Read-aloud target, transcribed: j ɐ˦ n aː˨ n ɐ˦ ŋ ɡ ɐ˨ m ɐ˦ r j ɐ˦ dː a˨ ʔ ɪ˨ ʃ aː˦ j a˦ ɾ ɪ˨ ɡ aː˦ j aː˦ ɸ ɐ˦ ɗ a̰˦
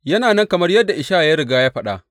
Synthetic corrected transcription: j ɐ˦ n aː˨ n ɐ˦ ŋ k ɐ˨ m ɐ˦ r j ɐ˦ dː a˨ ʔ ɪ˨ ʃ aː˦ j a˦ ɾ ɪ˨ ɡ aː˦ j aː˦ ɸ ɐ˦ ɗ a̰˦